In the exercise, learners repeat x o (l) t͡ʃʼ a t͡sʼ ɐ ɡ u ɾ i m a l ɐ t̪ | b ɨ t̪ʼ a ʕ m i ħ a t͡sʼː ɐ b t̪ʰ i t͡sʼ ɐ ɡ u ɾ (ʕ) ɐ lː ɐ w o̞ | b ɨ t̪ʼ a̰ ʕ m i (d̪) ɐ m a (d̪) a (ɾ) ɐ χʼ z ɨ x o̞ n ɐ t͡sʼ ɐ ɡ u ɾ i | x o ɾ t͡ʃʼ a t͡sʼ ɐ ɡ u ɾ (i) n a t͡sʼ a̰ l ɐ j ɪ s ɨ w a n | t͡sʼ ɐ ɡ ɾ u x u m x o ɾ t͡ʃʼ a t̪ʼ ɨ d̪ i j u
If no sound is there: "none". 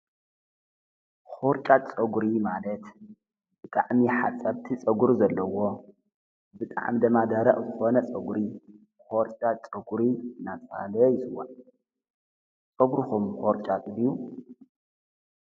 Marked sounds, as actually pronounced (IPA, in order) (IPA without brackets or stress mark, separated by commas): ɾ, z, d̪, d̪, ɾ, i